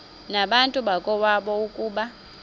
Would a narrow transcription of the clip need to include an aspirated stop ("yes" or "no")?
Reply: no